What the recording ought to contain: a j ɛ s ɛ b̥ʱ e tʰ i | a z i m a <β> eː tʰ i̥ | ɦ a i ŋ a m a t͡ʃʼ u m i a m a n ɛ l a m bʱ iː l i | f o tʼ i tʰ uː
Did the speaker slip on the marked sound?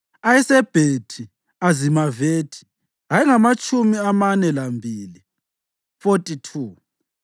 yes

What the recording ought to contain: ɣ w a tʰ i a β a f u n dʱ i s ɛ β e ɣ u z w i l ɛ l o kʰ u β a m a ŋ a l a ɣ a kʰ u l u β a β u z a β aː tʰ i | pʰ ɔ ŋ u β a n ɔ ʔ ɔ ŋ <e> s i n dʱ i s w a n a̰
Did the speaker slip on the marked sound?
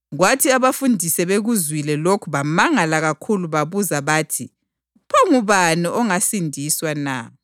yes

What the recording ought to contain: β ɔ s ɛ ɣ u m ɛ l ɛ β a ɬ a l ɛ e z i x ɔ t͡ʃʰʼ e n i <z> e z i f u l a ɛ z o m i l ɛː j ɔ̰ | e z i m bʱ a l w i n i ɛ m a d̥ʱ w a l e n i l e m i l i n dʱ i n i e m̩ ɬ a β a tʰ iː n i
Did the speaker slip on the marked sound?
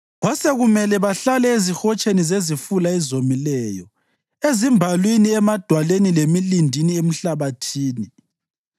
no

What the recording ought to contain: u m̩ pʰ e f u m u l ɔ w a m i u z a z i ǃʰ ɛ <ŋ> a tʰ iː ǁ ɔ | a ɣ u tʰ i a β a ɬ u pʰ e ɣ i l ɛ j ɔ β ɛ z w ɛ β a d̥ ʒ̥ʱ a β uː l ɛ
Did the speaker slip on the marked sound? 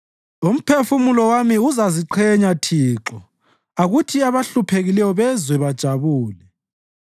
yes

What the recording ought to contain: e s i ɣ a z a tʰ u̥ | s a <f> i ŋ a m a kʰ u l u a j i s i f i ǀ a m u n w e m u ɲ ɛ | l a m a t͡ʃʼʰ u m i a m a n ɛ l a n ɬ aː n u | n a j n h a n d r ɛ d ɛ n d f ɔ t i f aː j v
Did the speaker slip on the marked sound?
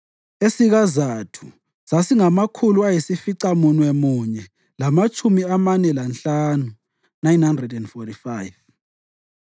yes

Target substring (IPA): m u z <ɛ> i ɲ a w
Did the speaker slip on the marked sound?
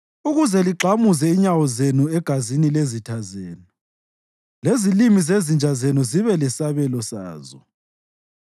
no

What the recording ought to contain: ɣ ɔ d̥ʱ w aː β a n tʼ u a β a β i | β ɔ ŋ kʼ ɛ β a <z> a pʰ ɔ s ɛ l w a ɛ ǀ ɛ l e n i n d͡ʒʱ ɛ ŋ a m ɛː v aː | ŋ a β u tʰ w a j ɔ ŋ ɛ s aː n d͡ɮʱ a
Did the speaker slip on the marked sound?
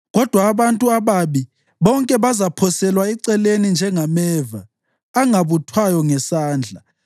no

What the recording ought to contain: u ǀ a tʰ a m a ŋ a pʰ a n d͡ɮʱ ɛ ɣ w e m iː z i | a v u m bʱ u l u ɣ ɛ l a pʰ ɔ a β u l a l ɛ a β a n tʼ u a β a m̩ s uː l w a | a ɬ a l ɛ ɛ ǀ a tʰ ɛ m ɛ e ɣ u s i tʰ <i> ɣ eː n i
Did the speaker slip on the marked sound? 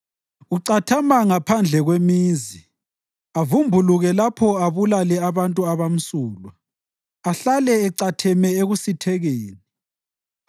yes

